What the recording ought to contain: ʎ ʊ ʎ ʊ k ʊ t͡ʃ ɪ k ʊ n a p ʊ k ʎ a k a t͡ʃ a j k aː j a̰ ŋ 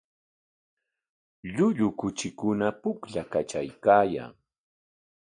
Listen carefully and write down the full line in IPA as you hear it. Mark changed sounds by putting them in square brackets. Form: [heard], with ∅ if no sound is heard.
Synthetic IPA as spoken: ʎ ʊ ʎ ʊ k ʊ t͡ʃ ɪ k ʊ n a p ʊ k ʎ a k a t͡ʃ a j k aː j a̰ ŋ